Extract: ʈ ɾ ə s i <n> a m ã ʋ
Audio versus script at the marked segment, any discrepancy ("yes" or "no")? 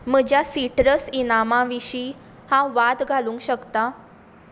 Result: no